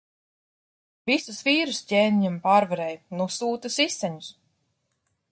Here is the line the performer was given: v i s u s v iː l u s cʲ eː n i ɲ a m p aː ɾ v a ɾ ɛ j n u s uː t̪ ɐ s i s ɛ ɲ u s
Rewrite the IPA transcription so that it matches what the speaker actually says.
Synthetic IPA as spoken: v i s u s v iː ɾ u s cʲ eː n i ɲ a m p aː ɾ v a ɾ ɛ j n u s uː t̪ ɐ s i s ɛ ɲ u s